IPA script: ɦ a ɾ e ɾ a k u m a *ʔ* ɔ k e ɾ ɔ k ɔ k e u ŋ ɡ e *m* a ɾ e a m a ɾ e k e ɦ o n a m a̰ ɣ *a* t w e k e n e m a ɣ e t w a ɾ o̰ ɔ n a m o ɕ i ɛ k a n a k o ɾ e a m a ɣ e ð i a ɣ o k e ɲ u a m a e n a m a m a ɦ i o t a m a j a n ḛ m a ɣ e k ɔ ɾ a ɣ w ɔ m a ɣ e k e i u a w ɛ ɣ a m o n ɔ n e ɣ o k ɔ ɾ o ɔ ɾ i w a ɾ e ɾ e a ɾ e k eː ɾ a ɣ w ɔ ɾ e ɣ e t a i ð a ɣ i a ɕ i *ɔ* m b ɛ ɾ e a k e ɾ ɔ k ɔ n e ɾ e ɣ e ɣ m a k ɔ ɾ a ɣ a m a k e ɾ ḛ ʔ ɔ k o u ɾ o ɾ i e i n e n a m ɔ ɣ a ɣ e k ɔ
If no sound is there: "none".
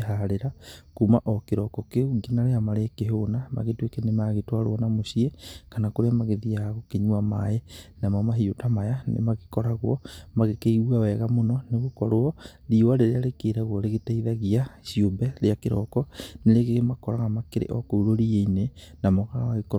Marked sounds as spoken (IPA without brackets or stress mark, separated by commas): ʔ, n, e, o